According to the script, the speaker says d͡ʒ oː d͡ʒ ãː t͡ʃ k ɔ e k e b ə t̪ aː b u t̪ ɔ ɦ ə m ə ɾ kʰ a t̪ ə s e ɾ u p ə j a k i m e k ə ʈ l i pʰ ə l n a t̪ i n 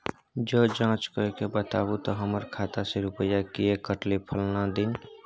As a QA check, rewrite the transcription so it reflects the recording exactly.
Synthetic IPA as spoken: d͡ʒ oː d͡ʒ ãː t͡ʃ k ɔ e k e b ə t̪ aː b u t̪ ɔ ɦ ə m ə ɾ kʰ a t̪ a s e ɾ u p ə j a k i e k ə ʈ l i pʰ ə l n a d̪ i n